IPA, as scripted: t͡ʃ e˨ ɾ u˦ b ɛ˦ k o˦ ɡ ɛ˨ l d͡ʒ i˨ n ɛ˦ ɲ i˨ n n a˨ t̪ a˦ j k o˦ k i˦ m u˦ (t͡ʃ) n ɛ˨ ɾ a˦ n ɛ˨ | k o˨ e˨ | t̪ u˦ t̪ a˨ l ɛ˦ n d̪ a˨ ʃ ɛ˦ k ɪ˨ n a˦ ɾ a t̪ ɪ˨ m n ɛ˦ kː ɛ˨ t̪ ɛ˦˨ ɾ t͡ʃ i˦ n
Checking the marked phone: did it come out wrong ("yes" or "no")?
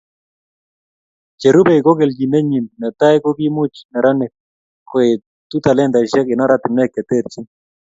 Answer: no